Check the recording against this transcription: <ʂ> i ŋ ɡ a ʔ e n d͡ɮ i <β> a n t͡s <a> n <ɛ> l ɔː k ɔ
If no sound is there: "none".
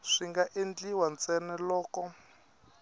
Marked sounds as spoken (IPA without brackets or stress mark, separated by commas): ʂ, w, ɛ, ɛ